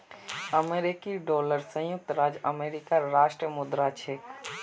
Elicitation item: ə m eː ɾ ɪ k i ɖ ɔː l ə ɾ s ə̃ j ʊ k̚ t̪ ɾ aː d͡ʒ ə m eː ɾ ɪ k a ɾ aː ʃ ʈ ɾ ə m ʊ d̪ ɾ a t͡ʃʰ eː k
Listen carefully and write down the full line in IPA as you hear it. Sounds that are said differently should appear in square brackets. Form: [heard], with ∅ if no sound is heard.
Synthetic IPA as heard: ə m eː ɾ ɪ k i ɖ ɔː l ə ɾ s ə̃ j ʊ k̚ t̪ ɾ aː d͡ʒ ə m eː ɾ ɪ k a ɾ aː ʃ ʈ ɾ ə m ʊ d̪ ɾ a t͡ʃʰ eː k